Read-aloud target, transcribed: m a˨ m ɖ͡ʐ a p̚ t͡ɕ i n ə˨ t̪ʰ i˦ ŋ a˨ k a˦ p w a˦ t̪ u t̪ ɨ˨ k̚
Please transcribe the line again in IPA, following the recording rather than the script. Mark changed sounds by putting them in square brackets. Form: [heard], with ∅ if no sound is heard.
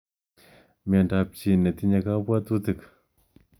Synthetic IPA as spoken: m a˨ [ɳ] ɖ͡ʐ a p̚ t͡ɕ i n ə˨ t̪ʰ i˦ [ɲ] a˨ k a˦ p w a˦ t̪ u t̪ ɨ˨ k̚